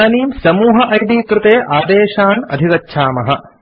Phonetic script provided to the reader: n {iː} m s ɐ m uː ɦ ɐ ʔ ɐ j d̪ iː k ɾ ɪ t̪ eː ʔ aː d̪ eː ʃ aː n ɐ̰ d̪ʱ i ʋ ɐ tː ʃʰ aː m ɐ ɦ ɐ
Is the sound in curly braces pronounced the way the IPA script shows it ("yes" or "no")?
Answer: yes